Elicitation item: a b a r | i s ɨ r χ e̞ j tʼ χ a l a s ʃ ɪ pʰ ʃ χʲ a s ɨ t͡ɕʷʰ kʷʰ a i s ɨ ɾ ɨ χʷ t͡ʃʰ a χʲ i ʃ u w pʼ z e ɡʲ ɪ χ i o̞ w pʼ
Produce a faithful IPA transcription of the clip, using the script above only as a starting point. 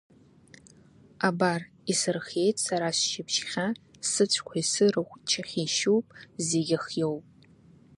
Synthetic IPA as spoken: a b a r | i s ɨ r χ e̞ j tʼ s a ɾ a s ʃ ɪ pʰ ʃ χʲ a s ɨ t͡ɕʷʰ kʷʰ a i s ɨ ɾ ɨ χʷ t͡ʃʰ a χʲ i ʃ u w pʼ z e ɡʲ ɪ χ j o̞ w pʼ